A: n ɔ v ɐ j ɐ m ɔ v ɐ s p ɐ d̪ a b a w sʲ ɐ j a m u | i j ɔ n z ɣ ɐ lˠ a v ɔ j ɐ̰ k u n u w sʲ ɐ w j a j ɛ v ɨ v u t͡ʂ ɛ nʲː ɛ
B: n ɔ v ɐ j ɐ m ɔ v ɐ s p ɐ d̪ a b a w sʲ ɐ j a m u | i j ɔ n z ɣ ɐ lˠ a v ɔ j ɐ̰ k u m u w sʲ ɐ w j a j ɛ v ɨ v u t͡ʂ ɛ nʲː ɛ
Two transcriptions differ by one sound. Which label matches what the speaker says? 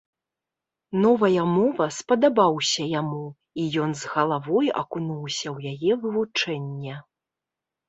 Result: A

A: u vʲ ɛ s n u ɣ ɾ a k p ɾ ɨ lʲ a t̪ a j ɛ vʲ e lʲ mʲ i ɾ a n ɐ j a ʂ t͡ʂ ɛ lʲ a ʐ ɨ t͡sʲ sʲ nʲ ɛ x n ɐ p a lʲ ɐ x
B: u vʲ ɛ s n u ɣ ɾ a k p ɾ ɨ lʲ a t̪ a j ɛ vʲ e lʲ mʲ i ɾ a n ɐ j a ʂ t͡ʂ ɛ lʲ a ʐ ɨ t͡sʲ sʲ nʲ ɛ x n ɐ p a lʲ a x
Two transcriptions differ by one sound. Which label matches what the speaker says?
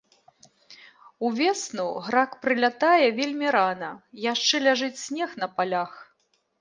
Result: B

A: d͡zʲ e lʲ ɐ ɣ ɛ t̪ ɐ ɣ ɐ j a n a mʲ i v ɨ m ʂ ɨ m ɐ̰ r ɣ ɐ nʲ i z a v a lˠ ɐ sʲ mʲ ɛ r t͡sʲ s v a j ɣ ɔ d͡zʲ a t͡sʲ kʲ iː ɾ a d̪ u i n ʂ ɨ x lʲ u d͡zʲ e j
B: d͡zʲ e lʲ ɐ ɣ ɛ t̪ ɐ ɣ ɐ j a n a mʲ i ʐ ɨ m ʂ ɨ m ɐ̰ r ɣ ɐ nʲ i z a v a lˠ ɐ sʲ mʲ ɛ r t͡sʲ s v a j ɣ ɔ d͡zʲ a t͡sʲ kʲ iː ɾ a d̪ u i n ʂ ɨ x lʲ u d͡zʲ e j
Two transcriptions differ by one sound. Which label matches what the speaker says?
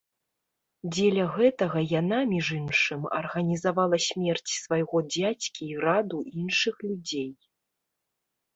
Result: B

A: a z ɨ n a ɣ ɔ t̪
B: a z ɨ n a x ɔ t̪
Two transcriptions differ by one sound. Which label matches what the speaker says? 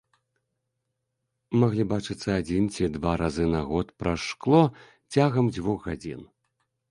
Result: A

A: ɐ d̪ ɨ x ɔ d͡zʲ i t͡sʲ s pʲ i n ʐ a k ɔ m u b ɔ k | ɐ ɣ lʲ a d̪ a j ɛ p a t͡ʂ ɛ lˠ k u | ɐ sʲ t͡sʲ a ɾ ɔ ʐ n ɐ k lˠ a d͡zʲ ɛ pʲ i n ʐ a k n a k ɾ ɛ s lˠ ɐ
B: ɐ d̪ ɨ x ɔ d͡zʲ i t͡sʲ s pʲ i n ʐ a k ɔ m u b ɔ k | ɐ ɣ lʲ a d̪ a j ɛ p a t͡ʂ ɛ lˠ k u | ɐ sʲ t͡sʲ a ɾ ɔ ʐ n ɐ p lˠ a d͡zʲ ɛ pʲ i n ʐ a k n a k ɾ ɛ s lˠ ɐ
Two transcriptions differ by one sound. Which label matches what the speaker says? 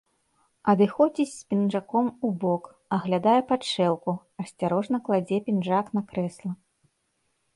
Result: A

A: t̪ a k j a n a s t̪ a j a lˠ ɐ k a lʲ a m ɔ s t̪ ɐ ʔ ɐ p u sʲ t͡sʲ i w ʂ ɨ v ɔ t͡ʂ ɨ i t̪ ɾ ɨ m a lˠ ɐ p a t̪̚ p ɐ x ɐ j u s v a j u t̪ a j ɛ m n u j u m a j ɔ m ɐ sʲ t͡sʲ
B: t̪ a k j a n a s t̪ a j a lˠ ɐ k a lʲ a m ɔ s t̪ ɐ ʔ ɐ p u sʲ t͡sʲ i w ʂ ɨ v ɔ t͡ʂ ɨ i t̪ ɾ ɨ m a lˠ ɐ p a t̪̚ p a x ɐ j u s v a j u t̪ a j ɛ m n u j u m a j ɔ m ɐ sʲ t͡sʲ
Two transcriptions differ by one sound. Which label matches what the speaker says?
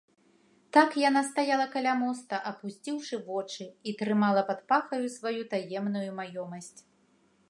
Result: B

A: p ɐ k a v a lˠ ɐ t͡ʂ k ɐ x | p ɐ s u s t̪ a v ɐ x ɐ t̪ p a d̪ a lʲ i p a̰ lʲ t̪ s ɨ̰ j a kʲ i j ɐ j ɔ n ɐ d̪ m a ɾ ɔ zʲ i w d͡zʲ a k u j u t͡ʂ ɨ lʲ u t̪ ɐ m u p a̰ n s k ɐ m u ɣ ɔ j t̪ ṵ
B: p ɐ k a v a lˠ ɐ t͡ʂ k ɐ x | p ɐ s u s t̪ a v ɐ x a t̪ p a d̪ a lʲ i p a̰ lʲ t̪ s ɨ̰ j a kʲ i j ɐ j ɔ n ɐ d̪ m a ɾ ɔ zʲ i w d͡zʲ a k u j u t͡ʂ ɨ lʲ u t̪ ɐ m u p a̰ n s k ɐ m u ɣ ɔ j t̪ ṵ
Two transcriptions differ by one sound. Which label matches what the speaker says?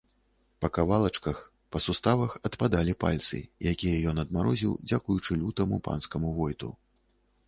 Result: A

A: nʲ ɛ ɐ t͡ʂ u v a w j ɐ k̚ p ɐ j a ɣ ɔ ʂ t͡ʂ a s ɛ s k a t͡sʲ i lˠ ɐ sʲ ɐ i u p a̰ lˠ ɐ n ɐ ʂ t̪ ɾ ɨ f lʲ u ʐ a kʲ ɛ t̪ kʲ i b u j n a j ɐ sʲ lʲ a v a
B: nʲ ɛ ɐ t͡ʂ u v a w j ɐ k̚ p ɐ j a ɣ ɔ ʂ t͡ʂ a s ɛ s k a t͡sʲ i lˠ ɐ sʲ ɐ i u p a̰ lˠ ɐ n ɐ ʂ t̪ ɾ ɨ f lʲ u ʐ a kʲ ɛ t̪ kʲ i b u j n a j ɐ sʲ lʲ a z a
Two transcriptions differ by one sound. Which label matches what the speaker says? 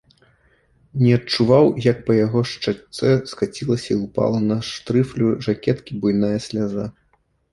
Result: B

